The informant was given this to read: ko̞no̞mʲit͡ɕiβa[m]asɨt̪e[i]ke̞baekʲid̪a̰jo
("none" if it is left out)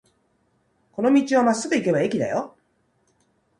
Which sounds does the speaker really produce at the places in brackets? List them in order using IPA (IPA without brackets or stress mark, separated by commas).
m, i